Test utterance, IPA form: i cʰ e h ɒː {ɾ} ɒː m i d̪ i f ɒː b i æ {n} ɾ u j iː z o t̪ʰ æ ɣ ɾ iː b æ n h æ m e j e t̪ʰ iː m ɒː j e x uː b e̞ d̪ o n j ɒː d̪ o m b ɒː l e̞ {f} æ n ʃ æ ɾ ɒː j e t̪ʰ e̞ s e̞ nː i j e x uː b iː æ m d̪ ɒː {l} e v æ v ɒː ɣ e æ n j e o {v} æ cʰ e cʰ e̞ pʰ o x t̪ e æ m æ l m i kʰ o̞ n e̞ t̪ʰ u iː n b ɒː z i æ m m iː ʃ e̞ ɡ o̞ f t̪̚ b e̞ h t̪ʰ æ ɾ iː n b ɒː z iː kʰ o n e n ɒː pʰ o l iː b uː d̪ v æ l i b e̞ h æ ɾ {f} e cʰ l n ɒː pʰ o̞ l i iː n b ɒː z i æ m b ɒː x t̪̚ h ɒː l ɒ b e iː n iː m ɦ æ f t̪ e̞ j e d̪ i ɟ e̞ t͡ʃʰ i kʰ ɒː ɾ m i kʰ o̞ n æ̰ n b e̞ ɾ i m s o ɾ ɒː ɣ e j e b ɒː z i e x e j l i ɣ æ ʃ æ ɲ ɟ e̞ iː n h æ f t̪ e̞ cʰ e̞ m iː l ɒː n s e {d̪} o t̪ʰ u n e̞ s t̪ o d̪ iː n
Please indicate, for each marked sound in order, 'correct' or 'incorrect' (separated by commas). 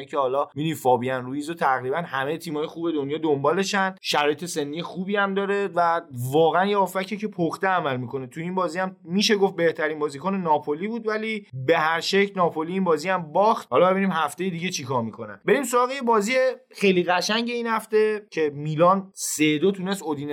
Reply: incorrect, correct, incorrect, incorrect, incorrect, incorrect, correct